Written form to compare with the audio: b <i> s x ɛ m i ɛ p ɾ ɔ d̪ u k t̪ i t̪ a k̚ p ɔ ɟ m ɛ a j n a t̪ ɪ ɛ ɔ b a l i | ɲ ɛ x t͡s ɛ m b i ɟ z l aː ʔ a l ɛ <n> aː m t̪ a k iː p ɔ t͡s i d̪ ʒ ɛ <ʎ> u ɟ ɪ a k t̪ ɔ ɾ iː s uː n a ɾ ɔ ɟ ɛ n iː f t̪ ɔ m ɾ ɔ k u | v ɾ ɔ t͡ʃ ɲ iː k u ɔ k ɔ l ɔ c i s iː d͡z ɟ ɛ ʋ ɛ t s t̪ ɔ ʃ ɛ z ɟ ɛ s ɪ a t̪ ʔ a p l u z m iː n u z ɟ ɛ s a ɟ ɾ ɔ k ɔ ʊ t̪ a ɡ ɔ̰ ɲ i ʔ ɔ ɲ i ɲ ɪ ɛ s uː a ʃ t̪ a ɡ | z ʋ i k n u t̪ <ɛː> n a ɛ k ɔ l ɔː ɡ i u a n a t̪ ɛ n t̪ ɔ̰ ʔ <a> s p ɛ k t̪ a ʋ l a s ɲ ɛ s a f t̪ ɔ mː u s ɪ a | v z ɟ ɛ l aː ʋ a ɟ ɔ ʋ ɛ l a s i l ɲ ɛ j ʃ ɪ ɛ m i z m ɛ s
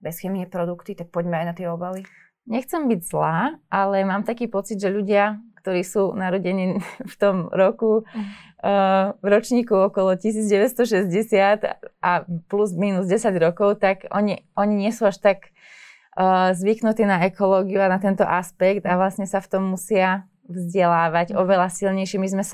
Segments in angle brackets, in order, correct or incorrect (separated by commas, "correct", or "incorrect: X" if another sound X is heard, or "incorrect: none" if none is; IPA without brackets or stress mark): incorrect: ɛ, incorrect: m, correct, incorrect: iː, correct